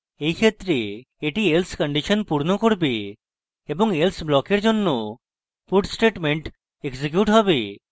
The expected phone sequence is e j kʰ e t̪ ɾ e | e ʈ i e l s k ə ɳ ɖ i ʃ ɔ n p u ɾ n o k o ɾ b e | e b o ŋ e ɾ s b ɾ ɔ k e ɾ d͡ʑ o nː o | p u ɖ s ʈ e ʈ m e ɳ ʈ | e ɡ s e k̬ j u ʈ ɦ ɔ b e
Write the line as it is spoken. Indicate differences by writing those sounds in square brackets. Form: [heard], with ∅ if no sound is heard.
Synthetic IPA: e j kʰ e t̪ ɾ e | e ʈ i e l s k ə ɳ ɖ i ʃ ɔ n p u ɾ n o k o ɾ b e | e b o ŋ e [l] s b [l] ɔ k e ɾ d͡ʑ o nː o | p u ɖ s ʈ e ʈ m e ɳ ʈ | e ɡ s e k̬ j u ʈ ɦ ɔ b e